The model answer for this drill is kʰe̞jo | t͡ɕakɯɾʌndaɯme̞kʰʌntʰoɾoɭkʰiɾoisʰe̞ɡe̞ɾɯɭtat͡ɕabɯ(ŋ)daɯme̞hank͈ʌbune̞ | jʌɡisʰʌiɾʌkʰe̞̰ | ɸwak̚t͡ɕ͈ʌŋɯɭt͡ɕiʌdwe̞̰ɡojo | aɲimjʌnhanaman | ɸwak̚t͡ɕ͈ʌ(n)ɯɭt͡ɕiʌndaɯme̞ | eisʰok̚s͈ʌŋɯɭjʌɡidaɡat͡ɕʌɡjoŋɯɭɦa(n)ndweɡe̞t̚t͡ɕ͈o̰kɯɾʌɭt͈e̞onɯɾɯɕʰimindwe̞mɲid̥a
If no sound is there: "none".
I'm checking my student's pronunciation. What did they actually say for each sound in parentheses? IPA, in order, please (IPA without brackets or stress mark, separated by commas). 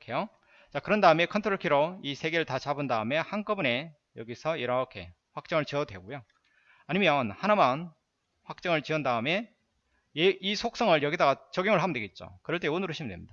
n, ŋ, m